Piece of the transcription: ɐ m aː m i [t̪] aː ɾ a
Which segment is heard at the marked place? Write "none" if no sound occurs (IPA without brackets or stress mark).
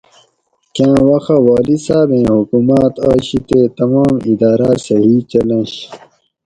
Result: d̪